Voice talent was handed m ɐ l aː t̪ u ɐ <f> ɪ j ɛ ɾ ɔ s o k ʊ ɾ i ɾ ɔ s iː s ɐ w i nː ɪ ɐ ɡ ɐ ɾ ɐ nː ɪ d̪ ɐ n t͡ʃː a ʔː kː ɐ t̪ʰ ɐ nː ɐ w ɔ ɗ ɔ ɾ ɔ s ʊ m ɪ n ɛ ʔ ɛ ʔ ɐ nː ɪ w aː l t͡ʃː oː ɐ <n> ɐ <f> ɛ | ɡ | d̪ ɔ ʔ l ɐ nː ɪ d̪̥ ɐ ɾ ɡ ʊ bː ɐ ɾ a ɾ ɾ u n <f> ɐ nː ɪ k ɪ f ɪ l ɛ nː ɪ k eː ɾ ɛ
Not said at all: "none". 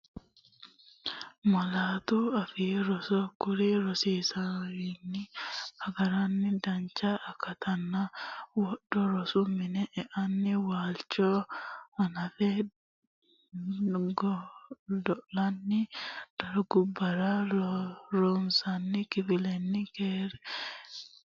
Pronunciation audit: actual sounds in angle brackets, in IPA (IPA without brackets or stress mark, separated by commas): f, n, f, s